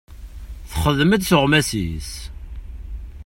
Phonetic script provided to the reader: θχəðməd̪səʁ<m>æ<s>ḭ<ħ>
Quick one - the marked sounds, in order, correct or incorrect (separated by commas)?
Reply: correct, correct, incorrect